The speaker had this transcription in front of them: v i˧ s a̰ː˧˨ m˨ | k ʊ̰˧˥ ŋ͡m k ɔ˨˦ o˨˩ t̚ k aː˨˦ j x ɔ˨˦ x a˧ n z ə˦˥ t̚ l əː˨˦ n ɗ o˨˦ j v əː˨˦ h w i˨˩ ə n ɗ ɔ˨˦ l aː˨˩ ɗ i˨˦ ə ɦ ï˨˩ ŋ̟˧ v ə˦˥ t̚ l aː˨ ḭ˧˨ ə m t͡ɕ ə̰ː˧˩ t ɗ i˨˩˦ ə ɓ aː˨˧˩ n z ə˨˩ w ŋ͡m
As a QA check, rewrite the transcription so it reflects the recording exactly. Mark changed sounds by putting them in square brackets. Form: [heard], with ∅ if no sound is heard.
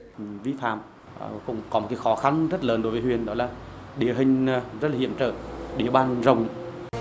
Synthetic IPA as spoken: v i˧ [f] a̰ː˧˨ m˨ | k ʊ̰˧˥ ŋ͡m k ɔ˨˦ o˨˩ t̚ k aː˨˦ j x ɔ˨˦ x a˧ n z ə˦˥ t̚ l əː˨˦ n ɗ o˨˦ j v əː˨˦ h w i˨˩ ə n ɗ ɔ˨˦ l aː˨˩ ɗ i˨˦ ə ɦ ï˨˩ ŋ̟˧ [z] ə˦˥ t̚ l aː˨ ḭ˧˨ ə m t͡ɕ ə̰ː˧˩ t ɗ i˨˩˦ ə ɓ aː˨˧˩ n z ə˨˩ w ŋ͡m

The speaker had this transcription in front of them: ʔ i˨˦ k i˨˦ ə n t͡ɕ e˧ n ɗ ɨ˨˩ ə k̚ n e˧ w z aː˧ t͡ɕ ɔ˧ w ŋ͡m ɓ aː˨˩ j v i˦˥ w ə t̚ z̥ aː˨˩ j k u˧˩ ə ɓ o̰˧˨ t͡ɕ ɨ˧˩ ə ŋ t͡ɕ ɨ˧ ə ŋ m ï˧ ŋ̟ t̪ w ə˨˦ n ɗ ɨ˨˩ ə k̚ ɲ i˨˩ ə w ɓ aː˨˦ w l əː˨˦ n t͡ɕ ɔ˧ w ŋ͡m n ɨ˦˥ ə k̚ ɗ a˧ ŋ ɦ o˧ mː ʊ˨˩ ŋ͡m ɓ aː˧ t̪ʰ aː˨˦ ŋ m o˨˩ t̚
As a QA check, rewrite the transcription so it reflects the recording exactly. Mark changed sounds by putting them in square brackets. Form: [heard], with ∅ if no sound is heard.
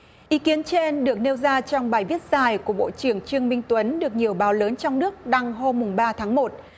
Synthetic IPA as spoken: ʔ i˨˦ k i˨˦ ə n t͡ɕ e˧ n ɗ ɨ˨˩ ə k̚ n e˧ w z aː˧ t͡ɕ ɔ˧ w ŋ͡m ɓ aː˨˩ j v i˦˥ [∅] ə t̚ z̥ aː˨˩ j k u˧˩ ə ɓ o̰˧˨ t͡ɕ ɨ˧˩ ə ŋ t͡ɕ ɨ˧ ə ŋ m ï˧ ŋ̟ t̪ w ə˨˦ n ɗ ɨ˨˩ ə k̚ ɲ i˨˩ ə w ɓ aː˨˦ w l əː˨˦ n t͡ɕ ɔ˧ w ŋ͡m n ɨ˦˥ ə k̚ ɗ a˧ ŋ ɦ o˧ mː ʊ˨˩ ŋ͡m ɓ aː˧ t̪ʰ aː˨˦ ŋ m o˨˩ t̚

